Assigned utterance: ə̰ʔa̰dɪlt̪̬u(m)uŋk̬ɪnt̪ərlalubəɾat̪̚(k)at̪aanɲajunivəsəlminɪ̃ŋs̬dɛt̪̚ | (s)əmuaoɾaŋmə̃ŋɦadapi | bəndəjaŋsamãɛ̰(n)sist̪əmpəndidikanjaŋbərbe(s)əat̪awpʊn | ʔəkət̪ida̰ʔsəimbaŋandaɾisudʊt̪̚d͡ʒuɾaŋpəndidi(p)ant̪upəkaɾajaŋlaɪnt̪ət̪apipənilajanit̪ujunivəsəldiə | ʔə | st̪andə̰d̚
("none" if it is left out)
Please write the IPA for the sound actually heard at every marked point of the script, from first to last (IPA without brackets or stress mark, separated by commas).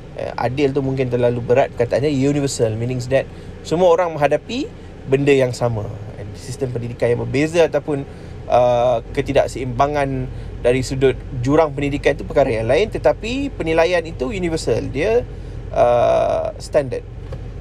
m, k, s, n, z, k